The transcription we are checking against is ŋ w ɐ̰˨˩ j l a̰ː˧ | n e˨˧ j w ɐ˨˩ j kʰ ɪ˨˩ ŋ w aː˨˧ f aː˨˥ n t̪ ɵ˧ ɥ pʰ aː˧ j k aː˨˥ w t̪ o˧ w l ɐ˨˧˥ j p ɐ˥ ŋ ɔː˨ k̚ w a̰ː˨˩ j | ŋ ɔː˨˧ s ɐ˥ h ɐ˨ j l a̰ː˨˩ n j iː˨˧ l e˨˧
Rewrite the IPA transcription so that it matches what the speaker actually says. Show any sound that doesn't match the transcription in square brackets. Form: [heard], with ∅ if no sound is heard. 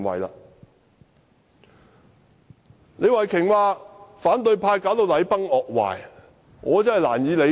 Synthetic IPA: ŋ w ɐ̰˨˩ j l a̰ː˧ | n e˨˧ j w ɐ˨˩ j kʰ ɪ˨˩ ŋ w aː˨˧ f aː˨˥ n t̪ ɵ˧ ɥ pʰ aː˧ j k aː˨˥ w t̪ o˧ w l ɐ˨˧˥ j p ɐ˥ ŋ ɔː˨ k̚ w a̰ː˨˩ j | ŋ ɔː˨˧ [t͡s] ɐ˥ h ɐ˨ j l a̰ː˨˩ n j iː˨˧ l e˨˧